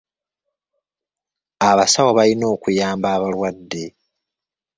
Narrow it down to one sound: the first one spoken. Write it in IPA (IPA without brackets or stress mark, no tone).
a